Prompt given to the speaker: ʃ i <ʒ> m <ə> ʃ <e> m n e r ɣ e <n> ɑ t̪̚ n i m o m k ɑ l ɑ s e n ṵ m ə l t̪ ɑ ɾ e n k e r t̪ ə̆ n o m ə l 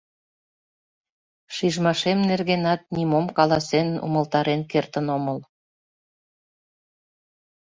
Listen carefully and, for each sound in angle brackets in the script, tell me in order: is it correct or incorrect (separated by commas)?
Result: correct, incorrect, correct, correct